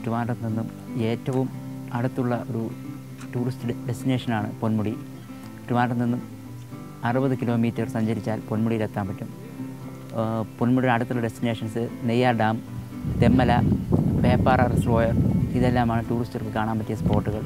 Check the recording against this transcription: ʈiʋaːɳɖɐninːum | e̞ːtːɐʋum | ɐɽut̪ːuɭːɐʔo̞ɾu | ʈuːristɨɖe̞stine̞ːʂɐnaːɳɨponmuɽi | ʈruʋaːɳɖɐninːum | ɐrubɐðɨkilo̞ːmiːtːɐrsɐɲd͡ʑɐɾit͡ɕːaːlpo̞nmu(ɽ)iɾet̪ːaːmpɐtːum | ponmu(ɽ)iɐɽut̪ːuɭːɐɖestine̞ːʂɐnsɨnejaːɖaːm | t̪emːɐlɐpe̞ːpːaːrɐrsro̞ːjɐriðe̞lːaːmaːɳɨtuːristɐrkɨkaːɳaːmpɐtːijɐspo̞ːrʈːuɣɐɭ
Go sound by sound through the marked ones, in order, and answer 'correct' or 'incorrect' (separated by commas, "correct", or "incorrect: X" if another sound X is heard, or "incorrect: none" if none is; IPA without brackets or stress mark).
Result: correct, correct